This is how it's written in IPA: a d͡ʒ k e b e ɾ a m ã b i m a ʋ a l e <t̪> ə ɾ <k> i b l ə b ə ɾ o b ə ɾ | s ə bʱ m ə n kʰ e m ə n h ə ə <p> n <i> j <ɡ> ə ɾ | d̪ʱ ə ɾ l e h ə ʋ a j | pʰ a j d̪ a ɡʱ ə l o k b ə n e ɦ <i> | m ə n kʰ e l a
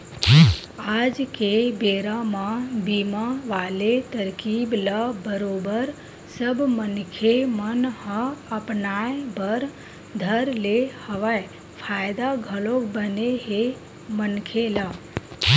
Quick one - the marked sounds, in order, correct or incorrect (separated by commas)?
correct, correct, correct, incorrect, incorrect, incorrect